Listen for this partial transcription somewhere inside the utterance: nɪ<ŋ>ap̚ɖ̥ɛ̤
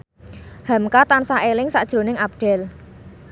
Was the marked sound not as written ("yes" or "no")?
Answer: no